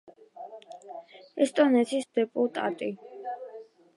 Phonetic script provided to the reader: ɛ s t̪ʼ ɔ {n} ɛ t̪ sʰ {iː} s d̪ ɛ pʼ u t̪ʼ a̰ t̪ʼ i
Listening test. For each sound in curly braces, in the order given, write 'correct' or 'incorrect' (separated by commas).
correct, incorrect